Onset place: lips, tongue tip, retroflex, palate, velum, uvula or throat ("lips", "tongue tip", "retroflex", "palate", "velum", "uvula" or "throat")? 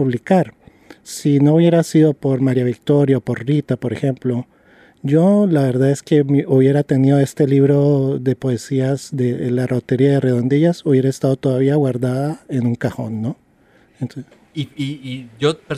lips